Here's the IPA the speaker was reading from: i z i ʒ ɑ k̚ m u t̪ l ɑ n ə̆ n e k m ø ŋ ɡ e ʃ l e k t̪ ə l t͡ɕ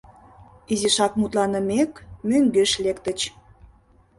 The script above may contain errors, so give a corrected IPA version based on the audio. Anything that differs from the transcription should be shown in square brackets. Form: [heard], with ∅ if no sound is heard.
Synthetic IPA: i z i [ʃ] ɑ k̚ m u t̪ l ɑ n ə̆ [m] e k m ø ŋ ɡ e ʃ l e k t̪ ə [∅] t͡ɕ